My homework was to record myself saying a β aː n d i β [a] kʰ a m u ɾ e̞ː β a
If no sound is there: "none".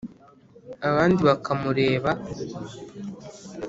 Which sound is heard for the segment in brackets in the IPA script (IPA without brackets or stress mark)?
a